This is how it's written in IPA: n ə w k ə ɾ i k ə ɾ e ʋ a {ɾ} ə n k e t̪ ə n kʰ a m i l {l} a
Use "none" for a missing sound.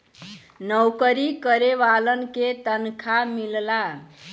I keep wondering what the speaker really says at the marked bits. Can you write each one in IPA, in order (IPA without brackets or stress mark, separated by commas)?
l, l